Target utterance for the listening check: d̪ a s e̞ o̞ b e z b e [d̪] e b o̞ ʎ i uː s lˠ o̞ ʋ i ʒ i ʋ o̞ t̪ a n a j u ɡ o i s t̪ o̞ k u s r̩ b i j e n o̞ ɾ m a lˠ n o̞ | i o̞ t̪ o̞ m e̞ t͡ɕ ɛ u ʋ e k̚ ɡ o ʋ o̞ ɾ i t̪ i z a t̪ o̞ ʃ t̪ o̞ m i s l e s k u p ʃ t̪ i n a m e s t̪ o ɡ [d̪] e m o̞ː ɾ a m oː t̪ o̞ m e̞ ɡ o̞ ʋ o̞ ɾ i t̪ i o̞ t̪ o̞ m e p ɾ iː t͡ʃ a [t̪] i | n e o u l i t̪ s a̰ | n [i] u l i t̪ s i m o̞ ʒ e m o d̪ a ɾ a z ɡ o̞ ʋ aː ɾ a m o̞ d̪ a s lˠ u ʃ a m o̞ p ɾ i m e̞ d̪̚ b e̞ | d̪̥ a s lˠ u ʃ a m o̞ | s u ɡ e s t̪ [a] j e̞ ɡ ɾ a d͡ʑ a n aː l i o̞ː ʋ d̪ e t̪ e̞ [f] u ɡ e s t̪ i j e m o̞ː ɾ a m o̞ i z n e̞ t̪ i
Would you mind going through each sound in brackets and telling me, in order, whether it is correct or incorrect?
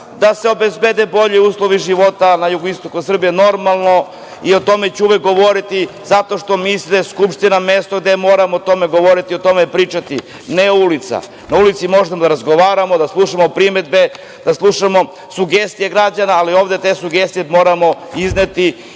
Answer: correct, correct, correct, incorrect: a, incorrect: i, incorrect: s

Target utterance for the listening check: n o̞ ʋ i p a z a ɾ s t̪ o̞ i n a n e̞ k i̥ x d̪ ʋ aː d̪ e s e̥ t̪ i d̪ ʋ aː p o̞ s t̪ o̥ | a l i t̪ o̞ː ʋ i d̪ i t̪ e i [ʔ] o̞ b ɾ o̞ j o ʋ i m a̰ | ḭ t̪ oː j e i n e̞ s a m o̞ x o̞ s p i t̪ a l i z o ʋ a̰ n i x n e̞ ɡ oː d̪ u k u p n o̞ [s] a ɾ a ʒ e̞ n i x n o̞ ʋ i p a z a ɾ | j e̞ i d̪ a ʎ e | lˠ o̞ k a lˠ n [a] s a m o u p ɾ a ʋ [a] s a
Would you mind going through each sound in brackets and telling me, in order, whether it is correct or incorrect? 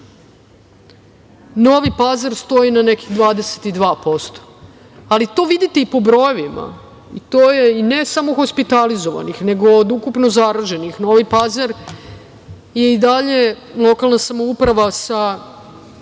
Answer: incorrect: p, incorrect: z, correct, correct

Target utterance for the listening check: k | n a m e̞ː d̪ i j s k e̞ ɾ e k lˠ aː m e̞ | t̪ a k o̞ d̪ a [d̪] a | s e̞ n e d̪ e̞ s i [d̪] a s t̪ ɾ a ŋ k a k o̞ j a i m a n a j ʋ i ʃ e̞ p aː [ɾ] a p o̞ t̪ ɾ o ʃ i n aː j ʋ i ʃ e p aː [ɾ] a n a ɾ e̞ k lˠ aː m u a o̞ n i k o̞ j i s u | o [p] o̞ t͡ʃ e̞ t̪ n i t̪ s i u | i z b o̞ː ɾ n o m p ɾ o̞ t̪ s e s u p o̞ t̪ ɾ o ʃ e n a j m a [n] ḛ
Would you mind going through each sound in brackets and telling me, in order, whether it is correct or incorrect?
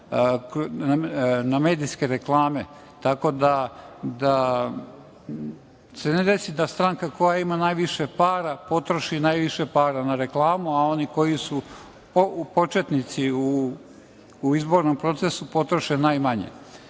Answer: correct, correct, correct, correct, correct, incorrect: ɲ

